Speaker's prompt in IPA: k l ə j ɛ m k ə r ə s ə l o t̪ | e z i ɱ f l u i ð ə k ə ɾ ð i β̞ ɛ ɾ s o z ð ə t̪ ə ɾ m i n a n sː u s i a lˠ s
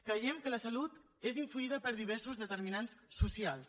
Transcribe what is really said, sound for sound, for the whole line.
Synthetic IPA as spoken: k ɾ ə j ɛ m k ə l ə s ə l u t̪ | e z i ɱ f l u i ð ə p ə ɾ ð i β̞ ɛ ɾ s u z ð ə t̪ ə ɾ m i n a n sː u s i a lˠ s